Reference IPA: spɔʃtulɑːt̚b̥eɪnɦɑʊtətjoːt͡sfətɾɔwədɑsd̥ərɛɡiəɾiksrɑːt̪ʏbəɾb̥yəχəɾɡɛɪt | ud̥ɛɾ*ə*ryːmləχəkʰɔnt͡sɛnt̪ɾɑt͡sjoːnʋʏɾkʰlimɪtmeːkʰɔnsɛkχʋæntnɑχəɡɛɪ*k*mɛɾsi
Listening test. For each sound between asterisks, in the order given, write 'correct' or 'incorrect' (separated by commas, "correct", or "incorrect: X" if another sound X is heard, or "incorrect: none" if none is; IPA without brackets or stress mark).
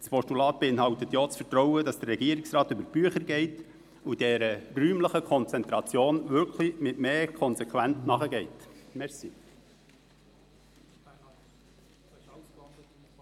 correct, incorrect: t